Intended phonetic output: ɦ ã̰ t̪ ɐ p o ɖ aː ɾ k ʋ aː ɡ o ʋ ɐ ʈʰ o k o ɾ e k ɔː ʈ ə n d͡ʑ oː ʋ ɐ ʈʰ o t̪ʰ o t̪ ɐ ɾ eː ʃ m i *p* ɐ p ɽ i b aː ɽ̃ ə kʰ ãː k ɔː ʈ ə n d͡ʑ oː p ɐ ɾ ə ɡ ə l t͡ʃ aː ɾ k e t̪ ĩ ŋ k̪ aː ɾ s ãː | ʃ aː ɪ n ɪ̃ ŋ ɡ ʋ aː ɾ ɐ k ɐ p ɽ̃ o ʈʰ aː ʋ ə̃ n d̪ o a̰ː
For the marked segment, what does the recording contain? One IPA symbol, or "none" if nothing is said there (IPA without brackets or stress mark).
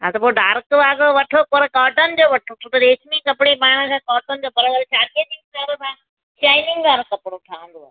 k